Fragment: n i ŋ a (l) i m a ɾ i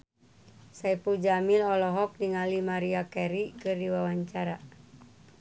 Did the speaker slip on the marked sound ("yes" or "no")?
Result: no